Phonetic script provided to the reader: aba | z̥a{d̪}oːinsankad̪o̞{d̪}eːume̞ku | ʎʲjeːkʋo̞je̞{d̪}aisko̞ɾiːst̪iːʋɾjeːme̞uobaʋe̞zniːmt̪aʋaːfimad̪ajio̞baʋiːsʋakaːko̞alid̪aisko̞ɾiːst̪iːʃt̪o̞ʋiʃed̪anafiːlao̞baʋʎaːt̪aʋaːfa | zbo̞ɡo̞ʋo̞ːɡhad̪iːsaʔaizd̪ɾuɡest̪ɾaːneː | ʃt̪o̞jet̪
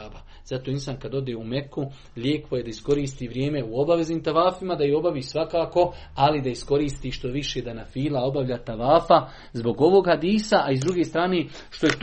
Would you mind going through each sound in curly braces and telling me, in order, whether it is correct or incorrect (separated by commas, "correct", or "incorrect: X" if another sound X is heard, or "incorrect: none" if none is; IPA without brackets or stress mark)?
incorrect: t̪, correct, correct